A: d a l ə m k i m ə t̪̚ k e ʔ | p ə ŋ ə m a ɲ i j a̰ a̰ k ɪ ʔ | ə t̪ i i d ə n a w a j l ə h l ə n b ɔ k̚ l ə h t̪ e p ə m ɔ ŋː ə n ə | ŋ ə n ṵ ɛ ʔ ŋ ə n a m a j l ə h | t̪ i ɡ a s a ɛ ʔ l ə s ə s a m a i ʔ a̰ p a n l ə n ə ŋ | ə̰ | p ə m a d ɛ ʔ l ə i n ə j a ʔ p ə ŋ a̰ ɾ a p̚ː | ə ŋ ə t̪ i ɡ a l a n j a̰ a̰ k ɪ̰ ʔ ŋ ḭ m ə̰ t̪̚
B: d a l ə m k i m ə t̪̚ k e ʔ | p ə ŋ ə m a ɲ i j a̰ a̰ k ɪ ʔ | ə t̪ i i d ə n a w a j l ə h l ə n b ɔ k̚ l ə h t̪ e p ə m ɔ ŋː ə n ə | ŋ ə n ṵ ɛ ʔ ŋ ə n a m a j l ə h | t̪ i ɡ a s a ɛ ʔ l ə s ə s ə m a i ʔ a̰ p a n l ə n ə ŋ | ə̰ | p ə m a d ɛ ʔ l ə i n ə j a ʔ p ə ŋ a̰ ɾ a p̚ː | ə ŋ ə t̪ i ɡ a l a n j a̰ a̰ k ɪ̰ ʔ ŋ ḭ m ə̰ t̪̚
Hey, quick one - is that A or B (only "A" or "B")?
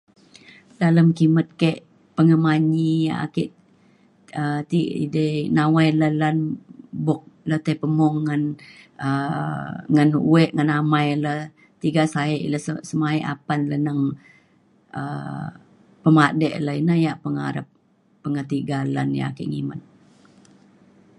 B